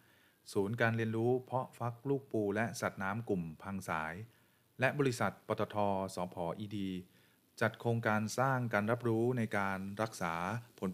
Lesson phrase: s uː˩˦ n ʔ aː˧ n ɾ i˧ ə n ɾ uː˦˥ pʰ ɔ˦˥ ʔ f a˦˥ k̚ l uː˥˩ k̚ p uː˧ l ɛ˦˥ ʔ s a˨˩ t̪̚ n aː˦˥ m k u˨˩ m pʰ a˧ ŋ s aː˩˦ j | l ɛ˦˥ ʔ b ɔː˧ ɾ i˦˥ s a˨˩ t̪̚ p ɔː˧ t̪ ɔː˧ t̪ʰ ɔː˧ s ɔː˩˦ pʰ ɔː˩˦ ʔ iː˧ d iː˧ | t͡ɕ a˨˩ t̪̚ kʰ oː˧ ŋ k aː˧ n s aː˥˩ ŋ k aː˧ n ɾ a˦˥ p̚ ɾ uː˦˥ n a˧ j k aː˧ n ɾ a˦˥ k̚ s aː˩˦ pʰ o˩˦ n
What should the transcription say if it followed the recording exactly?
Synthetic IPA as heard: s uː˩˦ n k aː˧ n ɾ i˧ ə n ɾ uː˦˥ pʰ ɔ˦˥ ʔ f a˦˥ k̚ l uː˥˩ k̚ p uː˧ l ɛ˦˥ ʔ s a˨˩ t̪̚ n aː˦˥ m k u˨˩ m pʰ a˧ ŋ s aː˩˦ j | l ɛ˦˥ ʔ b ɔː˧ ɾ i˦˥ s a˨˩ t̪̚ p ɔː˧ t̪ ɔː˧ t̪ʰ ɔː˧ s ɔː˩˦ pʰ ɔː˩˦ ʔ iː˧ d iː˧ | t͡ɕ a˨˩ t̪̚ kʰ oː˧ ŋ k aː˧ n s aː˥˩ ŋ k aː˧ n ɾ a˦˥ p̚ ɾ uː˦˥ n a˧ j k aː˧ n ɾ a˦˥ k̚ s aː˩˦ pʰ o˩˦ n